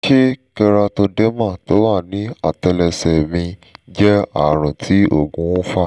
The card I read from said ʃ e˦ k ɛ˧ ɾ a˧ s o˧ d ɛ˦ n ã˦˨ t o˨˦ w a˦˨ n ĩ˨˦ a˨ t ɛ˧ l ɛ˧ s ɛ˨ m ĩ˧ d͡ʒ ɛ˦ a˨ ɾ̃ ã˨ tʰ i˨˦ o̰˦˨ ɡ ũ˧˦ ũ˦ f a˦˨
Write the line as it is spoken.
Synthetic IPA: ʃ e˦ k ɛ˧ ɾ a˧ t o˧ d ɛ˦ m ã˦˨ t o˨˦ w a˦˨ n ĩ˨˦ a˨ t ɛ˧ l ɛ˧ s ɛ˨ m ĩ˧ d͡ʒ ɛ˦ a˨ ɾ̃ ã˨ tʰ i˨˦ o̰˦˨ ɡ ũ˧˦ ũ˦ f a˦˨